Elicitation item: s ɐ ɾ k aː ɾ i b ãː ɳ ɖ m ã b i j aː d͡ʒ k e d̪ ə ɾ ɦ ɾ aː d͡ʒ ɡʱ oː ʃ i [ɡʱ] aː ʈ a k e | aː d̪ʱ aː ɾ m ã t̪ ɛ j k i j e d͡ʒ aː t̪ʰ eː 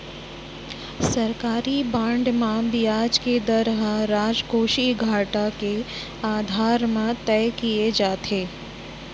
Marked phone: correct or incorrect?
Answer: correct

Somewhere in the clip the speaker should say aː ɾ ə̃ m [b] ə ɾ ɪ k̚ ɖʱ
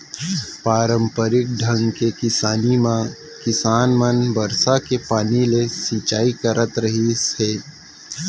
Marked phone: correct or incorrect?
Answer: incorrect: p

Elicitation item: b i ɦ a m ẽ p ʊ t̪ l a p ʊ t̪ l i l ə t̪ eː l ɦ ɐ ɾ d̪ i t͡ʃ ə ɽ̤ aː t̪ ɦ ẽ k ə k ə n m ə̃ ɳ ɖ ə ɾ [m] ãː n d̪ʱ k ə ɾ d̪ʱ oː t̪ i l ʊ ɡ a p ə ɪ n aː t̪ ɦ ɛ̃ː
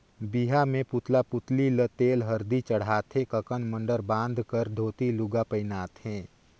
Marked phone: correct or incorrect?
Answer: incorrect: b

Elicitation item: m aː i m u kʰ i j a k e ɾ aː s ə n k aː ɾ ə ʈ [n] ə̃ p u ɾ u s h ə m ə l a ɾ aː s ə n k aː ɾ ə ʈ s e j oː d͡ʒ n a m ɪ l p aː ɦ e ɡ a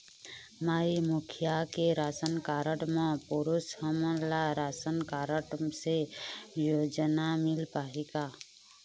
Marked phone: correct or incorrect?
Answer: incorrect: m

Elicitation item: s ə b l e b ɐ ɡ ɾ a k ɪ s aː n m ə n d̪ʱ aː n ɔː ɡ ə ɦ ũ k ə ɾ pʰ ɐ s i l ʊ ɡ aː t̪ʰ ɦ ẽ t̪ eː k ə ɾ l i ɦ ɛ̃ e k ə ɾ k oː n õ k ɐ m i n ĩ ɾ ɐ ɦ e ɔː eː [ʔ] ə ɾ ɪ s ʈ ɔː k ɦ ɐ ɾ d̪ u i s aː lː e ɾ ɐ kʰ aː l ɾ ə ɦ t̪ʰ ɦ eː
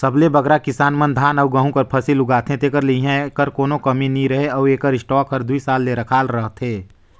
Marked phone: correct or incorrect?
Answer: incorrect: k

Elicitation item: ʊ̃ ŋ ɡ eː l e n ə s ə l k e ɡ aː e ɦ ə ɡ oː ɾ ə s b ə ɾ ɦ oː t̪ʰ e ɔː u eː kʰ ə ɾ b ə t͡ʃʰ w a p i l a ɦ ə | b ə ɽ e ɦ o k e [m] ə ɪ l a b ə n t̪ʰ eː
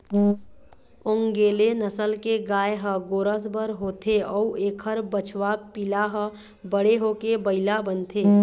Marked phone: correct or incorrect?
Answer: incorrect: b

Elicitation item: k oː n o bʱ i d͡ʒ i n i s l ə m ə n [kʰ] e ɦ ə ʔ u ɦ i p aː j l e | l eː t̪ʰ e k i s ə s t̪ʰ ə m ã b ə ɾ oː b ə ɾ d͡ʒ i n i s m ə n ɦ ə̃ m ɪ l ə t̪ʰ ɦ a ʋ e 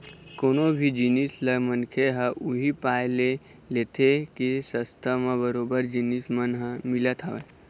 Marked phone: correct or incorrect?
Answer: correct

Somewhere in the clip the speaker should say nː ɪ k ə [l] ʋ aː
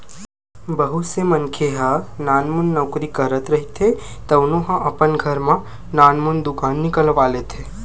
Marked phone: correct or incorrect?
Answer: correct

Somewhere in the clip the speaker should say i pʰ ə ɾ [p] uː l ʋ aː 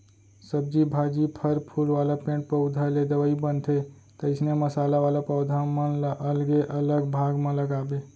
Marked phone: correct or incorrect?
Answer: incorrect: pʰ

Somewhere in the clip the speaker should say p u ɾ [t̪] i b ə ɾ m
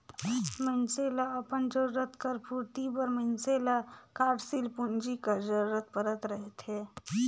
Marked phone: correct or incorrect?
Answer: correct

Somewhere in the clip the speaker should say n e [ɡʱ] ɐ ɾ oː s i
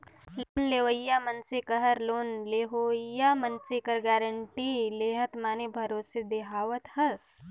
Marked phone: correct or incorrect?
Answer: incorrect: bʱ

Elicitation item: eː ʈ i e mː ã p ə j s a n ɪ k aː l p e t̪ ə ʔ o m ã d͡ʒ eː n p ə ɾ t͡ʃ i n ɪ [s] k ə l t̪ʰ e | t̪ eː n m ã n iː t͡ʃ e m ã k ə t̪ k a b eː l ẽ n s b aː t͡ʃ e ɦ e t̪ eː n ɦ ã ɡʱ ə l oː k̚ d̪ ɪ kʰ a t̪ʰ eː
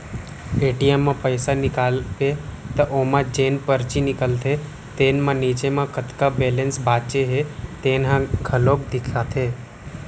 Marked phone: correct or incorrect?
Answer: incorrect: none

